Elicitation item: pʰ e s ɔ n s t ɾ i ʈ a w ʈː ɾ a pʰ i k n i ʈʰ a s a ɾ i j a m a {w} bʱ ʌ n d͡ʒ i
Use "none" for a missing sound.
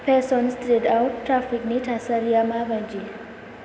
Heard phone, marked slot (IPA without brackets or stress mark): none